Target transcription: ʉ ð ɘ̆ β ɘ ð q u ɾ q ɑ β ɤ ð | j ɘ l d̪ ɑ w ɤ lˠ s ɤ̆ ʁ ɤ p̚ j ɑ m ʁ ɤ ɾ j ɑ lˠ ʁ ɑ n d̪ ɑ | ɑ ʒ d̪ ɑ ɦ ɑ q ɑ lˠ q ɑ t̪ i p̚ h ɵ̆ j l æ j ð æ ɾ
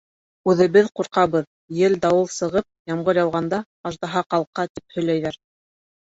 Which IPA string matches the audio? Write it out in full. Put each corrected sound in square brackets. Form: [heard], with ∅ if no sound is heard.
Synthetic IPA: ʉ ð ɘ̆ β ɘ ð q u ɾ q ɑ β ɤ ð | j ɘ l d̪ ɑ w ɤ lˠ s ɤ̆ ʁ ɤ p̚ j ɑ m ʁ ɤ ɾ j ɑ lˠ ʁ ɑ n d̪ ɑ | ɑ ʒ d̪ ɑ ɦ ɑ q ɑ lˠ q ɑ t̪ i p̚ h ɵ̆ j l æ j ð æ ɾ